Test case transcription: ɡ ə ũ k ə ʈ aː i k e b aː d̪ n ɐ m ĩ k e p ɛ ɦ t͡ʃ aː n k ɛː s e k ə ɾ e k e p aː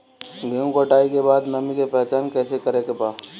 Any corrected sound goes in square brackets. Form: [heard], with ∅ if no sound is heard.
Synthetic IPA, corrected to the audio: ɡ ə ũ k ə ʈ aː i k e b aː d̪ n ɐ m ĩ k e p ɛ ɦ t͡ʃ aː n k ɛː s e k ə ɾ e k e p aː